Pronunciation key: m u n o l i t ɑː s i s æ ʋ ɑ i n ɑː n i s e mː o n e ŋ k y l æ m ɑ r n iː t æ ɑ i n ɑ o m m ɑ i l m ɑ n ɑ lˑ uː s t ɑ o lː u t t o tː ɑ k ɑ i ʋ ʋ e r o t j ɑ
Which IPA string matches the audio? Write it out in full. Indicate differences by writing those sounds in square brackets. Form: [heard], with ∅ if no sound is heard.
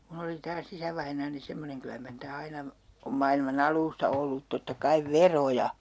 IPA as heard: m u n o l i t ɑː s i s æ ʋ ɑ i n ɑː n i s e mː o n e ŋ k y l æ m ɑ r n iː t æ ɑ i n ɑ o m m ɑ i l m ɑ n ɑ lˑ uː s t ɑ o lː u t t o tː ɑ k ɑ i ʋ ʋ e r o [∅] j ɑ